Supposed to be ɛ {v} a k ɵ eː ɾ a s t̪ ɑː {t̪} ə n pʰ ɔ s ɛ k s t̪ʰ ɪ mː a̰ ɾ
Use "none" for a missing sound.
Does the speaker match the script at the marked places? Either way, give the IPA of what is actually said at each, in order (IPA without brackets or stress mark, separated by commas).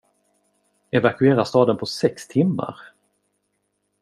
v, d̪